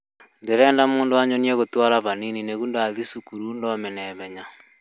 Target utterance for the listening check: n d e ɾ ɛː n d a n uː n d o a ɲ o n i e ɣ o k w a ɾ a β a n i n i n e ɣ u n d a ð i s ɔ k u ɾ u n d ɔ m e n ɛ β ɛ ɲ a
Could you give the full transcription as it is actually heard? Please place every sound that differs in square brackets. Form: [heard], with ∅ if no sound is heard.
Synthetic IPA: n d e ɾ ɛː n d a [m] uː n d o a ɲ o n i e ɣ o [t] w a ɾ a β a n i n i n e ɣ u n d a ð i s [u] k u ɾ u n d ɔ m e n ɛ β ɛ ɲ a

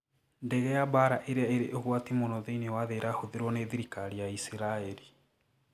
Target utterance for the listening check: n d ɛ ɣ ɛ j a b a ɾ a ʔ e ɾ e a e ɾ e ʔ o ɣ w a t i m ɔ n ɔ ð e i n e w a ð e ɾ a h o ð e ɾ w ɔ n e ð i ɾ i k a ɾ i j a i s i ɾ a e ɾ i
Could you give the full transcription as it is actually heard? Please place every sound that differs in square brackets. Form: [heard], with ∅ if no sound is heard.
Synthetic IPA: n d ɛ ɣ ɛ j a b a ɾ a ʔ e ɾ e a e ɾ e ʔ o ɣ w a t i m [o] n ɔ ð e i n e w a ð e ɾ a h o ð e ɾ w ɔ n e ð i ɾ i k a ɾ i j a i s i ɾ a e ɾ i

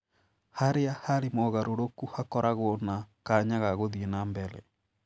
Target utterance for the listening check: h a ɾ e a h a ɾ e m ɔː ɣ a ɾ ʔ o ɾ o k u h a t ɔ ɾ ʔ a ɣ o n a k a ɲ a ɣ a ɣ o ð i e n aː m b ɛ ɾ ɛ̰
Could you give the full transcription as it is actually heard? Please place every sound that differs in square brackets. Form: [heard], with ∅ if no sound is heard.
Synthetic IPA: h a ɾ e a h a ɾ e m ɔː ɣ a ɾ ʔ o ɾ o k u h a [k] ɔ ɾ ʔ a ɣ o n a k a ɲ a ɣ a ɣ o ð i e n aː m b ɛ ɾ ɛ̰

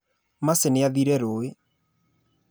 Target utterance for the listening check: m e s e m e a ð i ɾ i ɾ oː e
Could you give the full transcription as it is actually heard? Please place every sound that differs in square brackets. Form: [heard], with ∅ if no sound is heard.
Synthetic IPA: m [a] s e [n] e a ð i ɾ [ɛ] ɾ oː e

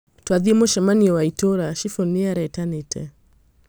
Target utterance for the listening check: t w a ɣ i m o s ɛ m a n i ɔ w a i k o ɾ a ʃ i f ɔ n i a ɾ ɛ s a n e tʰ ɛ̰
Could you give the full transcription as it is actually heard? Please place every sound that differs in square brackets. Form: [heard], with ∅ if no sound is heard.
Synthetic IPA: t w a [ð] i m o [ʃ] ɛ m a n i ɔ w a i [t] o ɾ a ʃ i f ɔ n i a ɾ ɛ [t] a n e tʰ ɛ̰

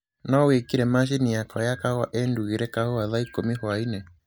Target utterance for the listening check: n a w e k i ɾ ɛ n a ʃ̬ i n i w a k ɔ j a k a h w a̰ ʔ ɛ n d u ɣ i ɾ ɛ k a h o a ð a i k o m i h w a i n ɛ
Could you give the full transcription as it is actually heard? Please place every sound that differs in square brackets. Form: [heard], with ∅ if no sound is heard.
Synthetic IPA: n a w e k i ɾ ɛ [m] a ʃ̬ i n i [∅] a k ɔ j a k a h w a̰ ʔ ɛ n d u ɣ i ɾ ɛ k a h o a ð a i k o m i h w a i n ɛ

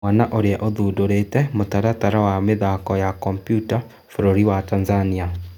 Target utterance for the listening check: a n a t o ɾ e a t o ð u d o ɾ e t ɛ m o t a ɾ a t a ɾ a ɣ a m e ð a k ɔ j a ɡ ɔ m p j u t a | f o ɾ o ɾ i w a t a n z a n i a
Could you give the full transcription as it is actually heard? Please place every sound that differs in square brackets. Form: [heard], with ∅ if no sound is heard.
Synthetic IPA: a n a [ʔ] o ɾ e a [ʔ] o ð u d o ɾ e t ɛ m o t a ɾ a t a ɾ a [w] a m e ð a k ɔ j a [k] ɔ m p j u t a | f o ɾ o ɾ i w a t a n z a n i a

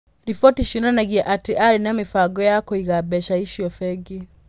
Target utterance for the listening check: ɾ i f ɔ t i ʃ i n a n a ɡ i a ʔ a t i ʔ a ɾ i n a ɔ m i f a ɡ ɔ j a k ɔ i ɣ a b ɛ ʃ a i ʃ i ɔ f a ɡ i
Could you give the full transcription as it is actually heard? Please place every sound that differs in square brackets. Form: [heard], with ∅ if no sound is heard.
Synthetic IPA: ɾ i f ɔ t i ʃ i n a n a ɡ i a ʔ a t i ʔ a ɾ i n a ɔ m i f a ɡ ɔ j a k ɔ i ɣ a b ɛ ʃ a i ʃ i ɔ f [ɛ] ɡ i

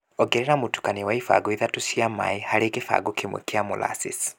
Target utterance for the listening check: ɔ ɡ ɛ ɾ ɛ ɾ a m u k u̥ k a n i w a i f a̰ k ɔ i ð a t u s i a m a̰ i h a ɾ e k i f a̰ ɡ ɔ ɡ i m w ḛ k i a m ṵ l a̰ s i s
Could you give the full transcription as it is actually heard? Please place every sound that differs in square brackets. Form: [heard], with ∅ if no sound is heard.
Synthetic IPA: ɔ ɡ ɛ ɾ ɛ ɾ a m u [t] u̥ k a n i w a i f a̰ [ɡ] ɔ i ð a t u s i a m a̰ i h a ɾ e k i f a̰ ɡ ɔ [k] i m w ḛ k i a m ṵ l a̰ s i s

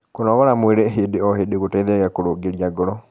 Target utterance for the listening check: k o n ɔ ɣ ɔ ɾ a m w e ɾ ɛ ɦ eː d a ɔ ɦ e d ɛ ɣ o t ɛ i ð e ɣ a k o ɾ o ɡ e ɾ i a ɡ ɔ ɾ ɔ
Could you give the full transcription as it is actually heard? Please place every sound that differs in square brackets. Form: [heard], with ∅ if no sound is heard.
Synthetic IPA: k o n ɔ ɣ ɔ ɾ a m w e ɾ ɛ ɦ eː d [e] ɔ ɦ e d [e] ɣ o t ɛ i ð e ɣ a k o ɾ o ɡ e ɾ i a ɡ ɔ ɾ ɔ

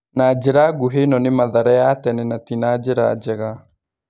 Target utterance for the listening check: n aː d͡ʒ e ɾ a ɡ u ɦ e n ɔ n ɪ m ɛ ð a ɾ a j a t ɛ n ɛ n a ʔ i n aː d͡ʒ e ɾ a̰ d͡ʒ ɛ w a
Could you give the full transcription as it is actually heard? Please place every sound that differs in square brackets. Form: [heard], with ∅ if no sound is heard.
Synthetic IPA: n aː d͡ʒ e ɾ a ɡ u ɦ e n ɔ n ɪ m [a] ð a ɾ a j a t ɛ n ɛ n a [t] i n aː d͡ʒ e ɾ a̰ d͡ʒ ɛ [ɣ] a

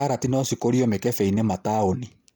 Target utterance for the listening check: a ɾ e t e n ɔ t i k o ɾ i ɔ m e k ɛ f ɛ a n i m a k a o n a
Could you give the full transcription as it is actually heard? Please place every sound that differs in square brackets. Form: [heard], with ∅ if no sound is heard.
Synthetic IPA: a ɾ [a] t [i] n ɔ [s] i k o ɾ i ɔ m e k ɛ f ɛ [i] n [e] m a [t] a o n [i]

